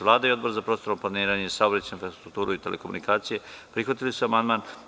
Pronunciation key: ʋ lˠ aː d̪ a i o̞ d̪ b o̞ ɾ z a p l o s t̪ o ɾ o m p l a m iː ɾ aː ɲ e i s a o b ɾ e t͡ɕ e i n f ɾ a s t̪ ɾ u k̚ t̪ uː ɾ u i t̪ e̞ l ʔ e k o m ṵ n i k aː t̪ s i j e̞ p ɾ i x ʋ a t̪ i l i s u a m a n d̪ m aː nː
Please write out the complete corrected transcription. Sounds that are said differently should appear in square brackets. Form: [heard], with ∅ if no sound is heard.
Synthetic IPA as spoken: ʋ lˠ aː d̪ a i o̞ d̪ b o̞ ɾ z a p [ɾ] o s t̪ o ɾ o m p l a [n] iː ɾ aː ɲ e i s a o b ɾ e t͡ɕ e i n f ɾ a s t̪ ɾ u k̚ t̪ uː ɾ u i t̪ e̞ l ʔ e k o m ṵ n i k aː t̪ s i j e̞ p ɾ i x ʋ a t̪ i l i s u a m a n d̪ m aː [n]

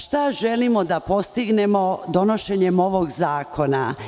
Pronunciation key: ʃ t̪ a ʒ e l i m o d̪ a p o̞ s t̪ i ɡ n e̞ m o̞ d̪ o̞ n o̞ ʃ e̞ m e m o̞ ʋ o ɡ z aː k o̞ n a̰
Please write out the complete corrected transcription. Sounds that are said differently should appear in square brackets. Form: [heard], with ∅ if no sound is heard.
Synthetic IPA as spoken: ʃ t̪ a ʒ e l i m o d̪ a p o̞ s t̪ i ɡ n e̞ m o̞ d̪ o̞ n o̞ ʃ e̞ [ɲ] e m o̞ ʋ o ɡ z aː k o̞ n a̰

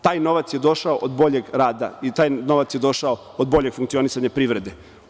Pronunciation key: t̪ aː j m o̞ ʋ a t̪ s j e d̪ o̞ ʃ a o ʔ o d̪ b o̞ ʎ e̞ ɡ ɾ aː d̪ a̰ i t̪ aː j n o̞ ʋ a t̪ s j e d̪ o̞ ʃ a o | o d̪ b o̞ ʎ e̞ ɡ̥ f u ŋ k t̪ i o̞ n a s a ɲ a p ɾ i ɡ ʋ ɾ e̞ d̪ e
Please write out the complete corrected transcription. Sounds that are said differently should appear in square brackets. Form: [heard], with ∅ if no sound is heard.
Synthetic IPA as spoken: t̪ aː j [n] o̞ ʋ a t̪ s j e d̪ o̞ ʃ a o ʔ o d̪ b o̞ ʎ e̞ ɡ ɾ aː d̪ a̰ i t̪ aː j n o̞ ʋ a t̪ s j e d̪ o̞ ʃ a o | o d̪ b o̞ ʎ e̞ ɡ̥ f u ŋ k t̪ i o̞ n [i] s a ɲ a p ɾ i [∅] ʋ ɾ e̞ d̪ e

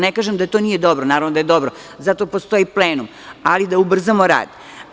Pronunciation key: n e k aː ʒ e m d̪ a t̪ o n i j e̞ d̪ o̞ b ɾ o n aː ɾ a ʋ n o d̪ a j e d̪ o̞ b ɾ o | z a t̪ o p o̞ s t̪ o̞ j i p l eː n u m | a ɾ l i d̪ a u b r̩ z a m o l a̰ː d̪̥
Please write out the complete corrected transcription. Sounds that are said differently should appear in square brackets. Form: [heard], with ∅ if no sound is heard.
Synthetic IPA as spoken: n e k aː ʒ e m d̪ a t̪ o n i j e̞ d̪ o̞ b ɾ o n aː ɾ a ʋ n o d̪ a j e d̪ o̞ b ɾ o | z a t̪ o p o̞ s t̪ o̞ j i p l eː n u m | a [∅] l i d̪ a u b r̩ z a m o [ɾ] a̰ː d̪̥

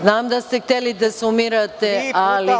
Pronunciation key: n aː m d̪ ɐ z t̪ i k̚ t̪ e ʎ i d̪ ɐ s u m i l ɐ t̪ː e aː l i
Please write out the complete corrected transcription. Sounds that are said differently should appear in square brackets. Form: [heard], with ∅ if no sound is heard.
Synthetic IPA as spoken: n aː m d̪ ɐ [s] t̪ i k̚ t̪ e [l] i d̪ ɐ s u m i [ɾ] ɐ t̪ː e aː l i

